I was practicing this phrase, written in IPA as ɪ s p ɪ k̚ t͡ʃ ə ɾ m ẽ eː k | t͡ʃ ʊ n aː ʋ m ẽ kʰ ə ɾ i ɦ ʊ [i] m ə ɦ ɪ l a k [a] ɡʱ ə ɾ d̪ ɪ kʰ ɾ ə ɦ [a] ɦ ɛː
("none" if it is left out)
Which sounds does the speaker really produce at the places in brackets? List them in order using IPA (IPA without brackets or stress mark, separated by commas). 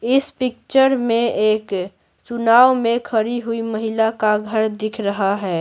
i, a, a